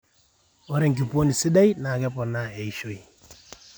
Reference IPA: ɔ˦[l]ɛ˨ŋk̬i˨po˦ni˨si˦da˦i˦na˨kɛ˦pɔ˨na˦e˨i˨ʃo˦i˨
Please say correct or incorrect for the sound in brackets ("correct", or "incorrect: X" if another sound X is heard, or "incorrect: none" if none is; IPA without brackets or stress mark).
incorrect: ɾ